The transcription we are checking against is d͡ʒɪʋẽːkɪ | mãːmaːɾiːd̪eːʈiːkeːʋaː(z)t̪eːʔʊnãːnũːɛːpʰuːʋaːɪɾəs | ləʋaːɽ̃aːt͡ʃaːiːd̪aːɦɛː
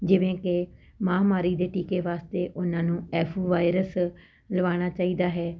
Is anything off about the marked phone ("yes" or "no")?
yes